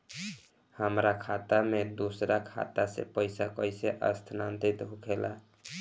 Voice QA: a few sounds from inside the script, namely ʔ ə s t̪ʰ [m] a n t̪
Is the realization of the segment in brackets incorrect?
yes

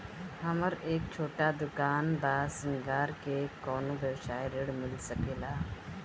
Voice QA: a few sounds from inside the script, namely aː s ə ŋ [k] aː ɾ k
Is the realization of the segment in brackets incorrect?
yes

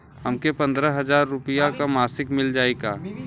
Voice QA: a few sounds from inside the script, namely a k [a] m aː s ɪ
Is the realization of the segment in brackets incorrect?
no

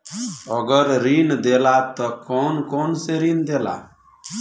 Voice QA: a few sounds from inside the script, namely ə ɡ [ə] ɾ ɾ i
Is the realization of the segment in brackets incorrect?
no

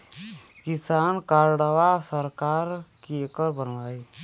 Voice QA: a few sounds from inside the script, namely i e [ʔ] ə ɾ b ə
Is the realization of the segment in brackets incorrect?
yes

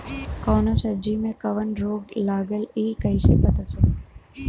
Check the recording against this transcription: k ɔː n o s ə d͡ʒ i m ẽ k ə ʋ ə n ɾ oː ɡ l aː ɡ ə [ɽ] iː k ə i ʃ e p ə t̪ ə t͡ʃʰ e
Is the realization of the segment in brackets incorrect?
yes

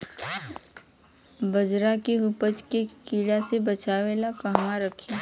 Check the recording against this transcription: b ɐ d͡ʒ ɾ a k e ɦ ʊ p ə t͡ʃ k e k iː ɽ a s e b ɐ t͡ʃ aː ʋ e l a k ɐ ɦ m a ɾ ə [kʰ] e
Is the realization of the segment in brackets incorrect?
no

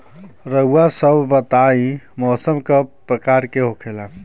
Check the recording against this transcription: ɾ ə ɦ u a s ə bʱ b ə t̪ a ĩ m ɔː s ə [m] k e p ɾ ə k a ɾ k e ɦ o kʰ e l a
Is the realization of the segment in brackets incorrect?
no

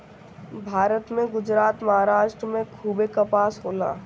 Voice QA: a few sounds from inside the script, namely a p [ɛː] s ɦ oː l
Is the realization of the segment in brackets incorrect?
yes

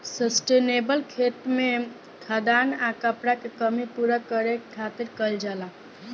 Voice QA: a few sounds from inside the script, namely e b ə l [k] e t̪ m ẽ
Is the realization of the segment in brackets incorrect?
yes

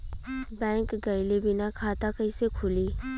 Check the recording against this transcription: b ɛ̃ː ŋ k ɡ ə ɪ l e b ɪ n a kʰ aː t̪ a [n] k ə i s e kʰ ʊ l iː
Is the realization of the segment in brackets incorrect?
yes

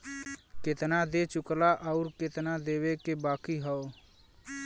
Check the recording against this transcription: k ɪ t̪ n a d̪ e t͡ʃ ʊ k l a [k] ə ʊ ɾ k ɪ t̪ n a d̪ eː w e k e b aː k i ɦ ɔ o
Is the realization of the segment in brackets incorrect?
yes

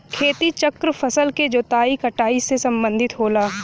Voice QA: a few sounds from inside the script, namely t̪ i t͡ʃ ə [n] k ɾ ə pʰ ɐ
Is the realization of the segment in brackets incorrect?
yes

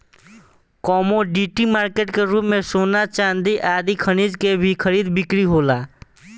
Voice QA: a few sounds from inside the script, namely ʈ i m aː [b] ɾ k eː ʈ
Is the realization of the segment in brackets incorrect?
yes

